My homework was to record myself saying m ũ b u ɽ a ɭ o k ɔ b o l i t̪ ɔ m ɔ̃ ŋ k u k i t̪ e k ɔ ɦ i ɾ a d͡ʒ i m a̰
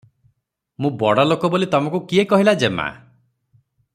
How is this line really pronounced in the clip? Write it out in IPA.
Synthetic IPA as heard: m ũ b ɔ ɽ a l o k ɔ b o l i t̪ ɔ m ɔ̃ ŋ k u k i e k ɔ ɦ i l a d͡ʒ e m a̰